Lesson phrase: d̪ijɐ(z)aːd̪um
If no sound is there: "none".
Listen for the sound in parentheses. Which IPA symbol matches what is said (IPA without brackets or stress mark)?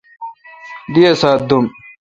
s